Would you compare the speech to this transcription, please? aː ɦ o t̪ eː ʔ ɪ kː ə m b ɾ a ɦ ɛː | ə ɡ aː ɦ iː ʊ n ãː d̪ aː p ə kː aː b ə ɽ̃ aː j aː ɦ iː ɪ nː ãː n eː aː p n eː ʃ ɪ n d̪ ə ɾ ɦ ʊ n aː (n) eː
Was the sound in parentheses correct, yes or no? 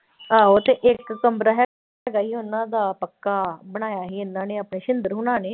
yes